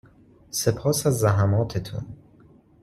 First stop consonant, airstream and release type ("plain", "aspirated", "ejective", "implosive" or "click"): aspirated